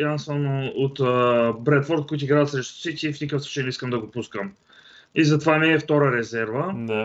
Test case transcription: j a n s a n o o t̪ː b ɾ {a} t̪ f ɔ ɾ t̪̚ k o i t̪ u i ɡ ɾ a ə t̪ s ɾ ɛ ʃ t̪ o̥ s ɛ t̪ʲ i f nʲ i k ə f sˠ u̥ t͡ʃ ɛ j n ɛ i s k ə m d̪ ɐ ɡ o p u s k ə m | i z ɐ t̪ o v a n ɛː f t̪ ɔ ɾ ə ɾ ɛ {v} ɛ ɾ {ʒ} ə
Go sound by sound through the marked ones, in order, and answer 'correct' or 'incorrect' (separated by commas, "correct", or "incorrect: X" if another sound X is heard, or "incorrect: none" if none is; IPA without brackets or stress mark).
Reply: incorrect: ɛ, incorrect: z, incorrect: v